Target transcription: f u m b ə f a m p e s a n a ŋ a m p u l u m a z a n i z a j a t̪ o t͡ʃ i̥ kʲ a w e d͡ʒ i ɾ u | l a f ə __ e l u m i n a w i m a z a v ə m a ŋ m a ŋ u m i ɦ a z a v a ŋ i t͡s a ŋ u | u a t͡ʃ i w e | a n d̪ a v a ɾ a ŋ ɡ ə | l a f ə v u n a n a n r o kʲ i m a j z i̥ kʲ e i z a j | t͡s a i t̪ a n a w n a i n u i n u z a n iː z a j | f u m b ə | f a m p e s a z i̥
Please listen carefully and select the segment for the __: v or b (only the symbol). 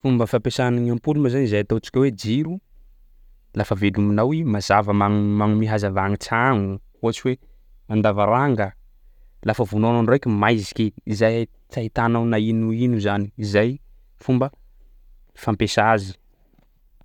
v